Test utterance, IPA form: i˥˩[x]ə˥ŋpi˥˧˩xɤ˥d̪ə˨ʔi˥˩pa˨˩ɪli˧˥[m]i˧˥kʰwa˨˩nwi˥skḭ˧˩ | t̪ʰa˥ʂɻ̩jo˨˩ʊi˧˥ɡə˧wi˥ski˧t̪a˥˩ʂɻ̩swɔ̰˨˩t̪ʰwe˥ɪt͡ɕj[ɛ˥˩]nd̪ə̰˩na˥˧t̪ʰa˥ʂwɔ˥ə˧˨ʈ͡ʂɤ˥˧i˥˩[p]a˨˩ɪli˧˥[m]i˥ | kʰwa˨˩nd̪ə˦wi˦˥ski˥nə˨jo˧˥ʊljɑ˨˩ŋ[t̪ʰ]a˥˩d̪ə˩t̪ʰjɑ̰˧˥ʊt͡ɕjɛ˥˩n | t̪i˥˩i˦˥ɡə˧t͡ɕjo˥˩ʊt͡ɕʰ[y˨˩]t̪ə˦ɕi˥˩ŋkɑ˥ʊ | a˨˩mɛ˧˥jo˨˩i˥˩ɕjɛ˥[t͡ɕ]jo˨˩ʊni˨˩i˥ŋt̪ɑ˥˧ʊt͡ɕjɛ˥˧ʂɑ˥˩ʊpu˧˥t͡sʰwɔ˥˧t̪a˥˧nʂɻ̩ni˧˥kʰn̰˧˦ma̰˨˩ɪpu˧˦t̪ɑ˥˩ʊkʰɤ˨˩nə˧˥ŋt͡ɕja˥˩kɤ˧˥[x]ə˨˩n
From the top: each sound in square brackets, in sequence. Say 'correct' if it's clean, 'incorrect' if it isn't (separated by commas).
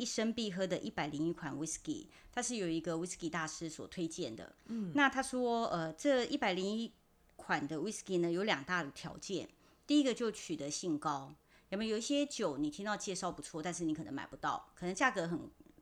incorrect, incorrect, correct, correct, incorrect, incorrect, correct, correct, correct